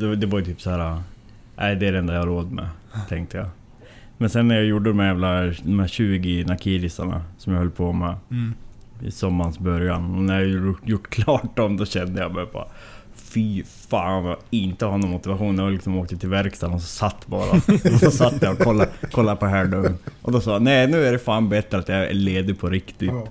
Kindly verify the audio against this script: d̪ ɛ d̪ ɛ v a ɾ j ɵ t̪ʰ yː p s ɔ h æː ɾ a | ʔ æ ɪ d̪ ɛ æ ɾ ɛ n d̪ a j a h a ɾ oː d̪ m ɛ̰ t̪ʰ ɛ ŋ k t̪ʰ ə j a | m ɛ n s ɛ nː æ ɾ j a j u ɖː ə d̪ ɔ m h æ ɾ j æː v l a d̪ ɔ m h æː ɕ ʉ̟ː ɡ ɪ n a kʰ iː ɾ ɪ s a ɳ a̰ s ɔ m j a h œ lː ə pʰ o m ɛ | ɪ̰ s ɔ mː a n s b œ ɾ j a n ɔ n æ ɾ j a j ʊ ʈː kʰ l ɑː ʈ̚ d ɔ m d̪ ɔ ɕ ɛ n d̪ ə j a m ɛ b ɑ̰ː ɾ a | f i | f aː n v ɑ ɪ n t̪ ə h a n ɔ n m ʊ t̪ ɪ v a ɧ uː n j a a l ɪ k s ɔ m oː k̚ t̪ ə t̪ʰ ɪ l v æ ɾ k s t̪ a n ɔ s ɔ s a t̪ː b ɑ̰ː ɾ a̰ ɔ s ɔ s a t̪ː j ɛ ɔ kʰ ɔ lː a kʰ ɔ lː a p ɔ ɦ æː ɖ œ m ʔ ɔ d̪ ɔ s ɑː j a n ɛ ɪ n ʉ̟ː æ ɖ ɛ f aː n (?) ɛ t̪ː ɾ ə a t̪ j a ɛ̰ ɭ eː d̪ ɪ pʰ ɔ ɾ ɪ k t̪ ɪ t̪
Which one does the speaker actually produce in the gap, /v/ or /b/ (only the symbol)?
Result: b